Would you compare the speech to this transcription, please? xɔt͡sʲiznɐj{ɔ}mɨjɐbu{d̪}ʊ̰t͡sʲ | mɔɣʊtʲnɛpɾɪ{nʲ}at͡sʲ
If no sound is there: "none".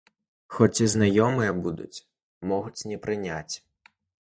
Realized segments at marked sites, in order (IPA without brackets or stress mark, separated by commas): ɔ, d̪, nʲ